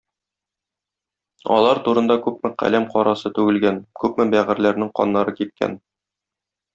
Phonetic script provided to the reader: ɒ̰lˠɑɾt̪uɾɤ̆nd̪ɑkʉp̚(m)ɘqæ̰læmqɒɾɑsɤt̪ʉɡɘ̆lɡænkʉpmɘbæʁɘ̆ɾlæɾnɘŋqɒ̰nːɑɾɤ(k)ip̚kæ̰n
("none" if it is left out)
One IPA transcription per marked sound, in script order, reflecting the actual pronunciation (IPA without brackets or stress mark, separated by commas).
m, k